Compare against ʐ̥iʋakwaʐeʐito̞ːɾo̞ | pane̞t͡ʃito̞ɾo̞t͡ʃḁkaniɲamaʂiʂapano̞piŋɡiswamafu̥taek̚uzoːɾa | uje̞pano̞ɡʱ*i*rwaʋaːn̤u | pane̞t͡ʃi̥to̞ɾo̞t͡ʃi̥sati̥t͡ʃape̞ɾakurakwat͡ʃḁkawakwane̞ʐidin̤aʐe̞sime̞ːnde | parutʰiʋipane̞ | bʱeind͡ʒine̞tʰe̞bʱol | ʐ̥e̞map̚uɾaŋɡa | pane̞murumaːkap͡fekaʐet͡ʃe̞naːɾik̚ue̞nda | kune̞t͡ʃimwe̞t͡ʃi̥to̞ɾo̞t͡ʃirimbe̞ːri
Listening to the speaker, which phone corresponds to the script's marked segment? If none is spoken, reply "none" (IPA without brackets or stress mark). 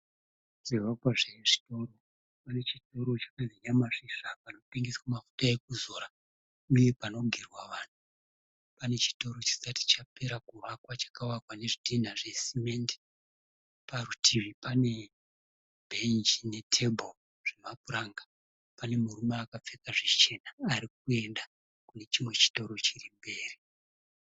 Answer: i